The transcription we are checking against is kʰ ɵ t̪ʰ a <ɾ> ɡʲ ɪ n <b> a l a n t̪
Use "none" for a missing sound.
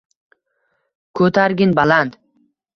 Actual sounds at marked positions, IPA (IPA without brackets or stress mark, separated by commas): ɾ, b